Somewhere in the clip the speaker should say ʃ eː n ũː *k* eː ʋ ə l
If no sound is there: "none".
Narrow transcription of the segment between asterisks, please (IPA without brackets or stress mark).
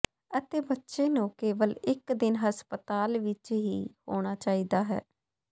k